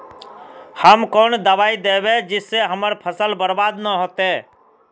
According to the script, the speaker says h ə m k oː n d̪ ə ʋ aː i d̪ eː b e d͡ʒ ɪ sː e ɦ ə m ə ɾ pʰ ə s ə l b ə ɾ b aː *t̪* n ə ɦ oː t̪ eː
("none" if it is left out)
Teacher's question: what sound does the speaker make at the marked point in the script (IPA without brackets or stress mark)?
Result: d̪